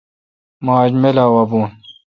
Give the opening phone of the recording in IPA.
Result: m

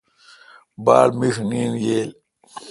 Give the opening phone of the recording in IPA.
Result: b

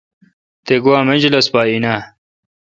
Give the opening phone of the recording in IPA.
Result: t̪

